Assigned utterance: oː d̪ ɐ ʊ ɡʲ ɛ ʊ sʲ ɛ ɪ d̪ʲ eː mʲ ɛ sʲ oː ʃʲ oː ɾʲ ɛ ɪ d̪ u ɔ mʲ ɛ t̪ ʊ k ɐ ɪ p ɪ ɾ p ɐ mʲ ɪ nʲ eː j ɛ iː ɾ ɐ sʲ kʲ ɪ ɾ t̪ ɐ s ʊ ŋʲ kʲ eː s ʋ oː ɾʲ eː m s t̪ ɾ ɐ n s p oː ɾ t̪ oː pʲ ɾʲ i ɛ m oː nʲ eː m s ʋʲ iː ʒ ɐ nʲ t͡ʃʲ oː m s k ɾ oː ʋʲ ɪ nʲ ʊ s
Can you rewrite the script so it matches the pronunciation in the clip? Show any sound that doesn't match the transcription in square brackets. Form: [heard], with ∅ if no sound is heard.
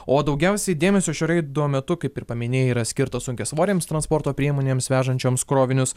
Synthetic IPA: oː d̪ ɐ ʊ ɡʲ ɛ ʊ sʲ ɛ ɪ d̪ʲ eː mʲ ɛ sʲ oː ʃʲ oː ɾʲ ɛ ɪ d̪ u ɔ mʲ ɛ t̪ ʊ k ɐ ɪ p ɪ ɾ p ɐ mʲ ɪ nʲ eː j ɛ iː ɾ ɐ sʲ kʲ ɪ ɾ t̪ ɐ s ʊ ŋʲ kʲ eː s ʋ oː ɾʲ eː m s t̪ ɾ ɐ n s p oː ɾ t̪ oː pʲ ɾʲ i ɛ m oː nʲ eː m s ʋʲ [æː] ʒ ɐ nʲ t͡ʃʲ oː m s k ɾ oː ʋʲ ɪ nʲ ʊ s